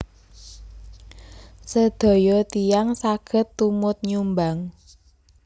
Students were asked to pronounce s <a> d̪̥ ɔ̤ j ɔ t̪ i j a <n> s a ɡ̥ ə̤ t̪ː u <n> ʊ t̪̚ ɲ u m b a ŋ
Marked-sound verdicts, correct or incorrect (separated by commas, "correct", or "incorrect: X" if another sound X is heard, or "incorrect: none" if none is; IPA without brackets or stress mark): incorrect: ə, incorrect: ŋ, incorrect: m